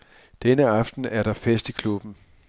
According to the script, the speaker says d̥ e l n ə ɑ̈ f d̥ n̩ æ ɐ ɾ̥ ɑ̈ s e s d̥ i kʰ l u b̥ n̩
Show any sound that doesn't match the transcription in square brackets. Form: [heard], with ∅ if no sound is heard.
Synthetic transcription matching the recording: d̥ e [∅] n ə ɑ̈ f d̥ n̩ æ ɐ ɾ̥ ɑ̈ [f] e s d̥ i kʰ l u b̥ n̩